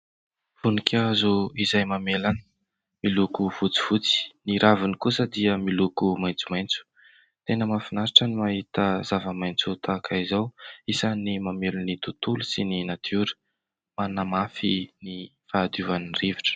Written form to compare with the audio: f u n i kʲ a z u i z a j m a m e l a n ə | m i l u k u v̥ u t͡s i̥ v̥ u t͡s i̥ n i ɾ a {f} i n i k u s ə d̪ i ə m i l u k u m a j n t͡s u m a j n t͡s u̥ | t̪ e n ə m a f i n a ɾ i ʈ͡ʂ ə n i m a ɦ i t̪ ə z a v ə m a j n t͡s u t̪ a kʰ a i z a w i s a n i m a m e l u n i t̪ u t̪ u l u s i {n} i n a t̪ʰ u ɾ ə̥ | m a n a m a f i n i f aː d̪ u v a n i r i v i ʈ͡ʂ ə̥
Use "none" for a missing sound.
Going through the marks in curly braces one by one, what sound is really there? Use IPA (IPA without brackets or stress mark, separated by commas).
v, n